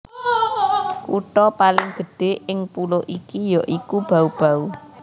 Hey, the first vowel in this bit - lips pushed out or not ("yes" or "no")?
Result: yes